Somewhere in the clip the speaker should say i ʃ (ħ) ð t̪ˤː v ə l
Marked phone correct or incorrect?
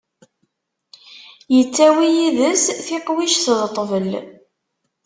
incorrect